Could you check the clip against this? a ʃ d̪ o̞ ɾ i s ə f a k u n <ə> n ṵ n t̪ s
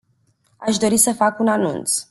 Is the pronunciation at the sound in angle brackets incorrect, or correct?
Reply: incorrect